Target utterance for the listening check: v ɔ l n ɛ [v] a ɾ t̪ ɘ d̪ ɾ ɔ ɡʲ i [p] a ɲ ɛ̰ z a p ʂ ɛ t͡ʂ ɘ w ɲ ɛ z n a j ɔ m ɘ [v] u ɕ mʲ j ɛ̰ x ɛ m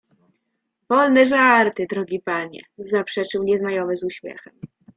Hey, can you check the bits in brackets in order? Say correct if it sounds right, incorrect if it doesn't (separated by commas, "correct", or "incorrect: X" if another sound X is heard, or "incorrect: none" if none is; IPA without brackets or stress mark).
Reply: incorrect: ʐ, correct, incorrect: z